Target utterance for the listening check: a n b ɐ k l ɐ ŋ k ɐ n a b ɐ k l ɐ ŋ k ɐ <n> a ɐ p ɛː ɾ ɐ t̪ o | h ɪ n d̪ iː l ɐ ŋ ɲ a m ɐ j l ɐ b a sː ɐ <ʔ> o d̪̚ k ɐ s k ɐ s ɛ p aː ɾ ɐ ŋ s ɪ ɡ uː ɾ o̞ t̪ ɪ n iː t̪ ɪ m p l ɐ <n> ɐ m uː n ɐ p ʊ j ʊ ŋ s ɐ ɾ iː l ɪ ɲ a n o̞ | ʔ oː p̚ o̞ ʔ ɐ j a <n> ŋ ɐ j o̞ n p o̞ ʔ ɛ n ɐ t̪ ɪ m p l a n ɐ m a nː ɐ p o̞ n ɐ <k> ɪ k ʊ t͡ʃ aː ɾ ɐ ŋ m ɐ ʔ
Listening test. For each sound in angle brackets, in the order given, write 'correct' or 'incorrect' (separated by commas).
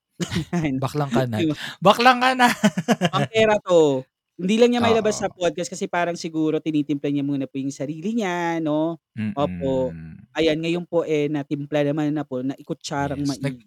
correct, incorrect, incorrect, correct, incorrect